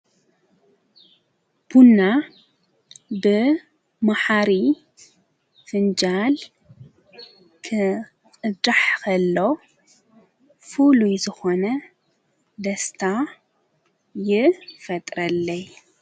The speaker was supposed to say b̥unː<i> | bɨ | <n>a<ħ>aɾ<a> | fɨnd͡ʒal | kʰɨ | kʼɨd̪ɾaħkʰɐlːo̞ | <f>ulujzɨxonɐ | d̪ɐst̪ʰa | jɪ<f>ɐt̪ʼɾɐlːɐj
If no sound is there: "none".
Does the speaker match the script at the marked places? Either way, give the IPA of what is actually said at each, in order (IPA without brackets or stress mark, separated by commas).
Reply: a, m, ħ, i, f, f